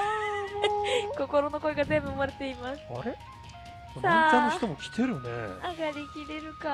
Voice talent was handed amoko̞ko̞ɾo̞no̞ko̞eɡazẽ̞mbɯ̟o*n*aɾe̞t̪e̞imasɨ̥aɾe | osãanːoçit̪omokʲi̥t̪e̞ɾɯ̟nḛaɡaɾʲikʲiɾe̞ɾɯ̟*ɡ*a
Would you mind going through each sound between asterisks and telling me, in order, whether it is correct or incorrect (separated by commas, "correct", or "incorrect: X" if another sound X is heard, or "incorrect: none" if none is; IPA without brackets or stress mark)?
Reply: incorrect: m, incorrect: k